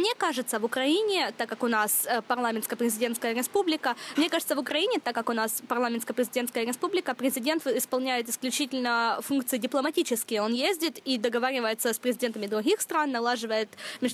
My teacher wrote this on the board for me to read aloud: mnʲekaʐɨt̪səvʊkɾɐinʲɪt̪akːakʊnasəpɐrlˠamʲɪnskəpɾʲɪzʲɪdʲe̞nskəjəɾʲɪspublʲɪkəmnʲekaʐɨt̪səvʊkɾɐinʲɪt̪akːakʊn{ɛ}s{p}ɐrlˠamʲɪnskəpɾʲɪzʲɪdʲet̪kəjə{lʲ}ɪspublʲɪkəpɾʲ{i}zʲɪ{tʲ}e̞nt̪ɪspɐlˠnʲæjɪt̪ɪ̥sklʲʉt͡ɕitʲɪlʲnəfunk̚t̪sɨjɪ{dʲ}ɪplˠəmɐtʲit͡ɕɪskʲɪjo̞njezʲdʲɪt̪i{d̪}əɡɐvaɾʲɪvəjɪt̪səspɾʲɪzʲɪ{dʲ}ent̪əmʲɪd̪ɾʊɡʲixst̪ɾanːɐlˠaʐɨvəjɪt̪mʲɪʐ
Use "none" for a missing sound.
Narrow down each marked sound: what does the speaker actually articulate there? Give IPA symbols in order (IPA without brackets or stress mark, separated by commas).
a, p, ɾʲ, ɪ, dʲ, dʲ, d̪, dʲ